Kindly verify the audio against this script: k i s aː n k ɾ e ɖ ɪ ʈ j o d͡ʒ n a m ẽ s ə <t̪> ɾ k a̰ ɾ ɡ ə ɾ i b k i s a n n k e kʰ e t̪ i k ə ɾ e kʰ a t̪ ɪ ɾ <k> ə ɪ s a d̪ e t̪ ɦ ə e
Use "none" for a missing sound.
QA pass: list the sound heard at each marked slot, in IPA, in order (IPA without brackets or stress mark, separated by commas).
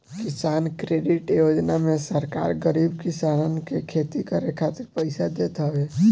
none, p